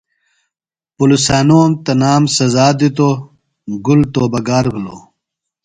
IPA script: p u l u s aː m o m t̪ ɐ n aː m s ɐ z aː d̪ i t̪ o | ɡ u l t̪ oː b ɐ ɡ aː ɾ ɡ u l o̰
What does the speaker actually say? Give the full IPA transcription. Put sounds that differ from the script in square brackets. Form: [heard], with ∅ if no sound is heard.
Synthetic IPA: p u l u s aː [n] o m t̪ ɐ n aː m s ɐ z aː d̪ i t̪ o | ɡ u l t̪ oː b ɐ ɡ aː ɾ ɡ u l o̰